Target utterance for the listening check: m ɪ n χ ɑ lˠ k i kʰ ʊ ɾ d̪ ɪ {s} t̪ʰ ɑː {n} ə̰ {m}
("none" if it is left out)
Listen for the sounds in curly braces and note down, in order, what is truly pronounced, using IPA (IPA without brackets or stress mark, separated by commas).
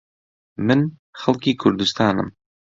s, n, m